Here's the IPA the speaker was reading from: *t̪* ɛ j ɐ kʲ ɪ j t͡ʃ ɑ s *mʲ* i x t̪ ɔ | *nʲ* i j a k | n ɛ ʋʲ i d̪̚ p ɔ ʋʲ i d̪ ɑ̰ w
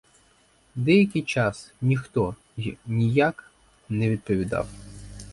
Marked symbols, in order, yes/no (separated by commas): no, no, yes